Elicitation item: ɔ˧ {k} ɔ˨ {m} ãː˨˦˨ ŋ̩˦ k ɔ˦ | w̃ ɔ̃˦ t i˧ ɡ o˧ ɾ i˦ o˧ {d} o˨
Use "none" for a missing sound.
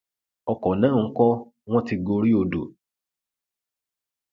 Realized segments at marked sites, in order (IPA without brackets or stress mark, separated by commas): k, n, d